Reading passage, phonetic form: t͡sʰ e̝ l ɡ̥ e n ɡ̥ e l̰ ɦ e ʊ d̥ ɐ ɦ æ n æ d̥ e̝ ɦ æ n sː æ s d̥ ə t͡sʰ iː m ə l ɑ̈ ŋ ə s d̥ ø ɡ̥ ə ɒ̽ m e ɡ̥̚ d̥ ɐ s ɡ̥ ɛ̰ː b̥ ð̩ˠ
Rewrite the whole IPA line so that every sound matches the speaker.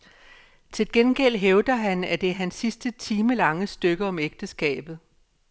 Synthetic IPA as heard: t͡sʰ e̝ l ɡ̥ e n ɡ̥ e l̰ ɦ e ʊ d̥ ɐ ɦ æ n æ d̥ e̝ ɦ æ n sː i s d̥ ə t͡sʰ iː m ə l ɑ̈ ŋ ə s d̥ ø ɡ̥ ə ɒ̽ m e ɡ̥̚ d̥ ə s ɡ̥ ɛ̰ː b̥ ð̩ˠ